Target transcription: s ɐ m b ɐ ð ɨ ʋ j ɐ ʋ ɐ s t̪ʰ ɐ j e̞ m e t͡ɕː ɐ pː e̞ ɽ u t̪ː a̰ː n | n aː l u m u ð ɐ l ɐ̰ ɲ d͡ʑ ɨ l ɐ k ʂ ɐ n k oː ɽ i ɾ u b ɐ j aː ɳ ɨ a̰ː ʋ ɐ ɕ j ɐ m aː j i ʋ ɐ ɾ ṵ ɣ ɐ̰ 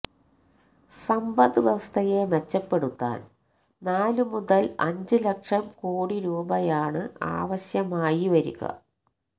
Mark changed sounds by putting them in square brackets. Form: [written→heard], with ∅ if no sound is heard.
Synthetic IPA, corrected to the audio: s ɐ m b ɐ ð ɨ ʋ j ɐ ʋ ɐ s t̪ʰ ɐ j e̞ m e t͡ɕː ɐ pː e̞ ɽ u t̪ː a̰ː n | n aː l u m u ð ɐ l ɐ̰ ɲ d͡ʑ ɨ l ɐ k ʂ ɐ [n→m] k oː ɽ i ɾ [u→uː] b ɐ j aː ɳ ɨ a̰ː ʋ ɐ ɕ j ɐ m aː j i ʋ ɐ ɾ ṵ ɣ ɐ̰